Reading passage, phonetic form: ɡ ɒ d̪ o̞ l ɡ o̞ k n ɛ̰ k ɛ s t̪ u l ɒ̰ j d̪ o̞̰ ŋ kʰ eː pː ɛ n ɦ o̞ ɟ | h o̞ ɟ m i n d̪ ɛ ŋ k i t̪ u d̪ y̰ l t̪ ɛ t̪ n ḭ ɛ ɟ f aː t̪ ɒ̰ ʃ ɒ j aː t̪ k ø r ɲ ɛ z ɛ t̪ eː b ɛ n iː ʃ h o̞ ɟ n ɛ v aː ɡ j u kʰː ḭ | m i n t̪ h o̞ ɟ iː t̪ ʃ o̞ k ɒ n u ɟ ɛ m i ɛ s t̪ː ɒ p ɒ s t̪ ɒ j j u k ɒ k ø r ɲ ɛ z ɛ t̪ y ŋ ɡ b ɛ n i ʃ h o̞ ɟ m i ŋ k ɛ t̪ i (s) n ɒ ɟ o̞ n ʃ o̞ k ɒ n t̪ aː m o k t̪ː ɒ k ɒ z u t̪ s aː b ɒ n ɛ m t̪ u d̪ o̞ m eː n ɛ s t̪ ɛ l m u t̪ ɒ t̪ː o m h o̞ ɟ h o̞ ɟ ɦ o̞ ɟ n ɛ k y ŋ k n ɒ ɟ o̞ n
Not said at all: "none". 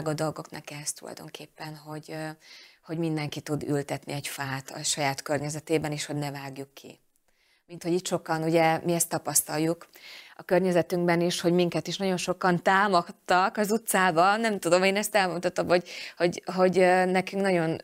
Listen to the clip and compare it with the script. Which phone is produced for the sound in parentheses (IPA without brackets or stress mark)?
ʃ